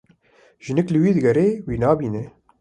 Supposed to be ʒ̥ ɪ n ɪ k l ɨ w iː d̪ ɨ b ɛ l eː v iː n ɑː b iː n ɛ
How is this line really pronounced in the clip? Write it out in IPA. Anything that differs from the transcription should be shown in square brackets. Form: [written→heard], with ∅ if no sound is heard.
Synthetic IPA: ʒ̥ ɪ n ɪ k l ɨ w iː d̪ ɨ [b→ɡ] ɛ [l→ɾ] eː [v→w] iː n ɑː b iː n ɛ

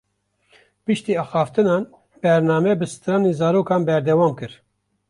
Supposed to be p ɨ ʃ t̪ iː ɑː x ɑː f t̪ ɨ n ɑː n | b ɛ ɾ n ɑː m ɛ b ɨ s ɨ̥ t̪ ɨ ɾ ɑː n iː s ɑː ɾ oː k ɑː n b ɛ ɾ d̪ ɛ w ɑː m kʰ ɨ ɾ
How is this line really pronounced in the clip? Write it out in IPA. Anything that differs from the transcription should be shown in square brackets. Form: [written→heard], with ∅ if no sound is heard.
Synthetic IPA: p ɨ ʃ t̪ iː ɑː x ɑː f t̪ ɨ n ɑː n | b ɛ ɾ n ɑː m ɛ b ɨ s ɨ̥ t̪ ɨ ɾ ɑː n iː [s→z] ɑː ɾ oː k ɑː n b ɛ ɾ d̪ ɛ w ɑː m [kʰ→k] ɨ ɾ

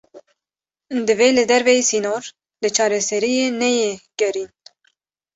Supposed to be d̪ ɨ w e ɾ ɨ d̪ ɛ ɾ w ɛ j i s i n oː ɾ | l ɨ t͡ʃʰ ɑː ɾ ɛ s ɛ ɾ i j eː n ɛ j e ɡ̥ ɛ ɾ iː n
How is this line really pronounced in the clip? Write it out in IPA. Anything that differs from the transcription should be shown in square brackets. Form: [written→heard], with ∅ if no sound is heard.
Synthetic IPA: d̪ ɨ [w→v] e [ɾ→l] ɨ d̪ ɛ ɾ [w→v] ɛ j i s i n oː ɾ | l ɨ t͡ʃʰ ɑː ɾ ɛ s ɛ ɾ i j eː n ɛ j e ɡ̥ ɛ ɾ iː n

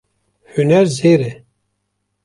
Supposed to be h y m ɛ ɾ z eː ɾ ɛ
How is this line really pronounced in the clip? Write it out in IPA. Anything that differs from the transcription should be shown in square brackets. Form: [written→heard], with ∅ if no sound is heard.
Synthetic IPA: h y [m→n] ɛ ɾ z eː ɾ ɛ

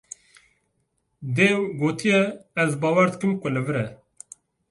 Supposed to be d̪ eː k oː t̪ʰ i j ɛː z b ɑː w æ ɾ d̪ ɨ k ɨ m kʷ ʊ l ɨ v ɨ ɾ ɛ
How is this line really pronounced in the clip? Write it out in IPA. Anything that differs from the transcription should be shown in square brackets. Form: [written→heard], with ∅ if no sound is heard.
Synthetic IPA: d̪ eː [k→ɡ] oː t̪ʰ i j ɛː z b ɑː w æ ɾ d̪ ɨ k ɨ m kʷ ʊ l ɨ v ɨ ɾ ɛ

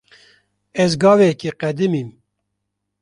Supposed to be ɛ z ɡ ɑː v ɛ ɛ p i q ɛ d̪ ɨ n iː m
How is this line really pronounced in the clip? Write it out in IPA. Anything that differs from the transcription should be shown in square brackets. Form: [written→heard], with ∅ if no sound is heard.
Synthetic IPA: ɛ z ɡ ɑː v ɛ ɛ [p→k] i q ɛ d̪ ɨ [n→m] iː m

